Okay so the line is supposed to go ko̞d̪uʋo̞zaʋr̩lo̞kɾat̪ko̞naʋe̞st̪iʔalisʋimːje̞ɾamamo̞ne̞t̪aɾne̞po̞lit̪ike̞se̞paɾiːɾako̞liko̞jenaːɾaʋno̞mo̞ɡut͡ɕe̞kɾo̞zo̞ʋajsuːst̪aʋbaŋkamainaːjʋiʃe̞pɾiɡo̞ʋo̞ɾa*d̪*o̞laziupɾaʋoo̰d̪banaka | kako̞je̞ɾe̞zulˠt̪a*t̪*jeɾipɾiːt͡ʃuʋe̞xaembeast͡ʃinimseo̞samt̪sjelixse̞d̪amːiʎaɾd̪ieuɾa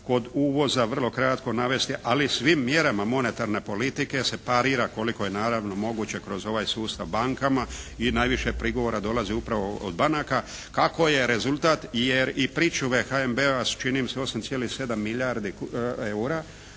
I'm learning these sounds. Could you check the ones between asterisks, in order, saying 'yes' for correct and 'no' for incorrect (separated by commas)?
yes, yes